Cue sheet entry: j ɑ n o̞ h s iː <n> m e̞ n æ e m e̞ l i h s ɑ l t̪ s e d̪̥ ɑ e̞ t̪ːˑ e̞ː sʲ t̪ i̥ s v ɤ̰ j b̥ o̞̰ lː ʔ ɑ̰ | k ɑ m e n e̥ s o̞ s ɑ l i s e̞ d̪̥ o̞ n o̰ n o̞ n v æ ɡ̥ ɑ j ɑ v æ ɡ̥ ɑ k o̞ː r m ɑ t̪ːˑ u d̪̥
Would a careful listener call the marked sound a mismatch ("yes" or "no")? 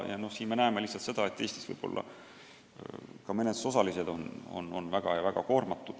no